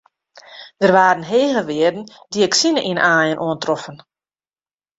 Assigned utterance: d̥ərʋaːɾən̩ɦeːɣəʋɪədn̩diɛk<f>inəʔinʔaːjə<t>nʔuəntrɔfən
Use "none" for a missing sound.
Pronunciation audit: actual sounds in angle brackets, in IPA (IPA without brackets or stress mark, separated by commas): s, none